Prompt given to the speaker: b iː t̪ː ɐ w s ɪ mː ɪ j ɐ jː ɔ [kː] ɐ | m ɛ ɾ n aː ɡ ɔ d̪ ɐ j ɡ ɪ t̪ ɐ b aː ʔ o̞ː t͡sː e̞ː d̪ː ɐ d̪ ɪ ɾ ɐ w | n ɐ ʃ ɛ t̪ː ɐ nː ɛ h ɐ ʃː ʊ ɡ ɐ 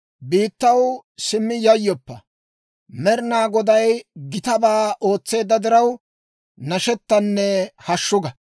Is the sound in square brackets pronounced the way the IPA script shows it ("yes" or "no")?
no